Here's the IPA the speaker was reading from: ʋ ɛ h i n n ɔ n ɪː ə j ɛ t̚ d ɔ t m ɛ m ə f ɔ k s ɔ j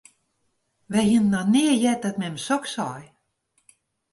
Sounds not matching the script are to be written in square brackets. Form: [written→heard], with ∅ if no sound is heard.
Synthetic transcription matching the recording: ʋ ɛ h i n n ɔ n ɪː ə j ɛ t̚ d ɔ t m ɛ m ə [f→s] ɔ k s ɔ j